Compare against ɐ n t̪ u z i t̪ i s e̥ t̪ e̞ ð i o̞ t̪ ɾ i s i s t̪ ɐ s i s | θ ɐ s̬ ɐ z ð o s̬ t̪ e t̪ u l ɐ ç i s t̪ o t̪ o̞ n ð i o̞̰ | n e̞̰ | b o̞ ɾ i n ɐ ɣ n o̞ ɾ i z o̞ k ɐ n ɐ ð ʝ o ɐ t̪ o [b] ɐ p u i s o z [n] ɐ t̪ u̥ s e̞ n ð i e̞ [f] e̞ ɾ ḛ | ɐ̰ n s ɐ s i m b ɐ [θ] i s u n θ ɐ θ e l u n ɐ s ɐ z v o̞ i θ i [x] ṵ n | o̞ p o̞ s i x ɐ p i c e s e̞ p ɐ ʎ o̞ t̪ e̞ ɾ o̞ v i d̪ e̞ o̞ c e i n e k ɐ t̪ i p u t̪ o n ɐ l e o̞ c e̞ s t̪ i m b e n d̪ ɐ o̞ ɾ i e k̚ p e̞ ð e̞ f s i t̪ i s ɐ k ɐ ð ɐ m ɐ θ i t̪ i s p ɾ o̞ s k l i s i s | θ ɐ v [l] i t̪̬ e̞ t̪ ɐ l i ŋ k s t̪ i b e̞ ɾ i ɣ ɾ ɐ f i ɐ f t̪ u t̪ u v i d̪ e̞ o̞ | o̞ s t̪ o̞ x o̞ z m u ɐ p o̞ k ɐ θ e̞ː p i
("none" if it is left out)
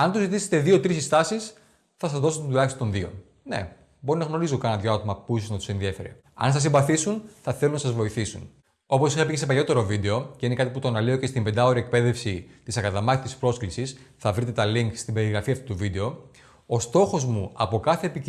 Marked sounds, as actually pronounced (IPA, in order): m, n, f, θ, s, ɾ

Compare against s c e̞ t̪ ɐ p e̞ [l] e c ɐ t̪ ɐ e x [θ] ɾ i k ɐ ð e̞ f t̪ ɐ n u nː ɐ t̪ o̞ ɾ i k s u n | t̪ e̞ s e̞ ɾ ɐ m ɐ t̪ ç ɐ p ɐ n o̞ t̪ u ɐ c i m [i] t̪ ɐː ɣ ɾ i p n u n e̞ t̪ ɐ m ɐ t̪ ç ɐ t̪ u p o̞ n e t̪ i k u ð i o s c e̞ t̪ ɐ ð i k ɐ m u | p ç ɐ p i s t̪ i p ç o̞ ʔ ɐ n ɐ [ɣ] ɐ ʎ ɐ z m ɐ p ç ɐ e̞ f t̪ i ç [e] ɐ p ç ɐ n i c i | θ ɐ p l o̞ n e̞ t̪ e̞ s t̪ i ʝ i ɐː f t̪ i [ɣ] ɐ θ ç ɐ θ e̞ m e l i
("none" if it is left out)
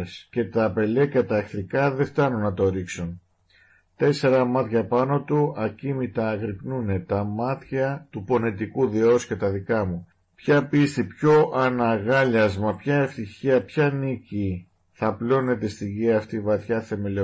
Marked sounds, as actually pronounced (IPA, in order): l, θ, i, ɣ, i, v

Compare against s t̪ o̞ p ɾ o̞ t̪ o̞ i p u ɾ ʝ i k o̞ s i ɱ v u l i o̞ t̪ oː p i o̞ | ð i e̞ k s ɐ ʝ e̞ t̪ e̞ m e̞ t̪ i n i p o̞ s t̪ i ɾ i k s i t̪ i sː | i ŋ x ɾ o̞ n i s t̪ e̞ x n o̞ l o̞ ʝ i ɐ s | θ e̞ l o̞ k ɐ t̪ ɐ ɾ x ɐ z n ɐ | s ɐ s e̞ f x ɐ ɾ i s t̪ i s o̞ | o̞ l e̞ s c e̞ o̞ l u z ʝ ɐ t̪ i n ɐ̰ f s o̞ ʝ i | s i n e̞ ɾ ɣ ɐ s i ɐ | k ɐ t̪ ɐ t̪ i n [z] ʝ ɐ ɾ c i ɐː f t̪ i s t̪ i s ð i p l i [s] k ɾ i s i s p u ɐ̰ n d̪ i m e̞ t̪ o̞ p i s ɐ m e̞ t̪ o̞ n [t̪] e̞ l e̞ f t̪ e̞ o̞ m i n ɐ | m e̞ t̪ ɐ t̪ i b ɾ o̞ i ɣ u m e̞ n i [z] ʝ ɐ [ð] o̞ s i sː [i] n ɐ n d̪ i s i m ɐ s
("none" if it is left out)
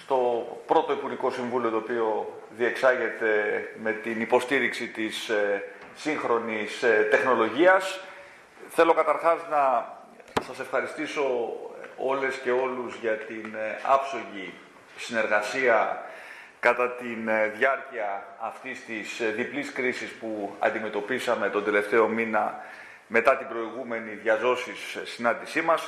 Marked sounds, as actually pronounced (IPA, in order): ð, s, d̪, ð, z, i

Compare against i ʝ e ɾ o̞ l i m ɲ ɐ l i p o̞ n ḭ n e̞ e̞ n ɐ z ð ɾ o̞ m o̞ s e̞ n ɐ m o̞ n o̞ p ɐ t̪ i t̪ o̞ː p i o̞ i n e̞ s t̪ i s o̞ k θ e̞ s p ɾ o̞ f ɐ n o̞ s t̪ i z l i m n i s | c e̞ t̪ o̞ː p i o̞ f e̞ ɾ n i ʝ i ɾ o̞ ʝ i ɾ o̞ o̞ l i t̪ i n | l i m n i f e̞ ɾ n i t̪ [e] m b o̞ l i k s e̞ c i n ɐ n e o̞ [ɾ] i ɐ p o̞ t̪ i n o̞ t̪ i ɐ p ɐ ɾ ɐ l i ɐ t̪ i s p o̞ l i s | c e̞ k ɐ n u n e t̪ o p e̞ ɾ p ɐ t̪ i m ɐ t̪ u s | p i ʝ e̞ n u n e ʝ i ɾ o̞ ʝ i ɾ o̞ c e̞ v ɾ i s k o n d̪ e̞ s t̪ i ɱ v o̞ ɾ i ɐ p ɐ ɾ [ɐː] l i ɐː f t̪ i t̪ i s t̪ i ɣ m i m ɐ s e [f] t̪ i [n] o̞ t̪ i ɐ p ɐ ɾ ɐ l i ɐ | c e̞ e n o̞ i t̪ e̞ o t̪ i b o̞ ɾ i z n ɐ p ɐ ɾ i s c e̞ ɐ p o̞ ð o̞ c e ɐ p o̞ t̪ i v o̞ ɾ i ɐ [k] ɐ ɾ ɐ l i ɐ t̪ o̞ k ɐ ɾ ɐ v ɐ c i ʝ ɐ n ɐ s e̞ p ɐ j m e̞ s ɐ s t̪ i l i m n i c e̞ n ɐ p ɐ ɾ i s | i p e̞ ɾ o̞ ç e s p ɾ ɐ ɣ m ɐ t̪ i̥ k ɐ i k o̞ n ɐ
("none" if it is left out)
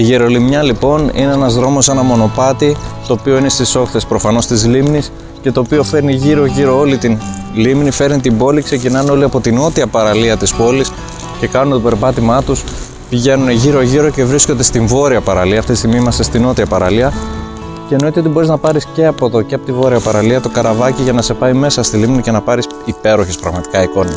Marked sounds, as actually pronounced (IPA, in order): i, l, ɐ, s, n, p

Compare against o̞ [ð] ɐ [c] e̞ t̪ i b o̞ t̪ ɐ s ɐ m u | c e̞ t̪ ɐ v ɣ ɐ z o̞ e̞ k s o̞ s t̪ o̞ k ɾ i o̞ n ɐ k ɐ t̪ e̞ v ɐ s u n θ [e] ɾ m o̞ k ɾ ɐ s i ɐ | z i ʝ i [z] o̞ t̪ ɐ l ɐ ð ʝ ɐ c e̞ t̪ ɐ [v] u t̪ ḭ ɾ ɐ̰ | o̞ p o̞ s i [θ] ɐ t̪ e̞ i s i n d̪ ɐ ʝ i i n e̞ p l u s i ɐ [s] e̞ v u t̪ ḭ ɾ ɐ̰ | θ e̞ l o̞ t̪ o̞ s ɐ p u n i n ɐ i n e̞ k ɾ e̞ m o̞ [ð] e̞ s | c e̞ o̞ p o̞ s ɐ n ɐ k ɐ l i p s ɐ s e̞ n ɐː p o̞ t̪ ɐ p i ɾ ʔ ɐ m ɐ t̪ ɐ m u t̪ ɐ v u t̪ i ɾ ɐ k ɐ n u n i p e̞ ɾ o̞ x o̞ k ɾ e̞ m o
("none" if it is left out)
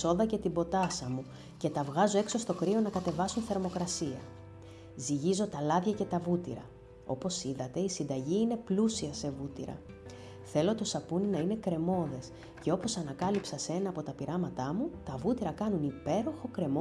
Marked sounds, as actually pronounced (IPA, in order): ð, c, e, z, v, ð, s, ð

